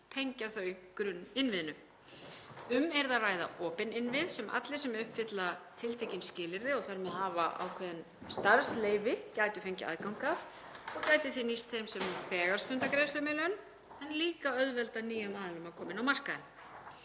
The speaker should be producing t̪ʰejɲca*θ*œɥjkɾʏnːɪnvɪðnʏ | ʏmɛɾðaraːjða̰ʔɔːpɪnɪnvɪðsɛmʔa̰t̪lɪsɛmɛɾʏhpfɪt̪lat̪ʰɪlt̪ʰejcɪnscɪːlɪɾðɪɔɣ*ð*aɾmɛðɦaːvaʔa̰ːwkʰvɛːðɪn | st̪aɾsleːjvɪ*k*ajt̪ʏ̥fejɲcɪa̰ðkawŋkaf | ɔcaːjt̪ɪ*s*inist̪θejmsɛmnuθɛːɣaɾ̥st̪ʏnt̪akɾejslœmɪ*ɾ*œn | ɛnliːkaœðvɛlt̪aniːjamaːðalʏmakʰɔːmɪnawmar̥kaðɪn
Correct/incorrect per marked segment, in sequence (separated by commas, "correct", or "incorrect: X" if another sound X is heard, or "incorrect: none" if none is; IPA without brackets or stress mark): correct, incorrect: θ, incorrect: c, incorrect: θ, incorrect: l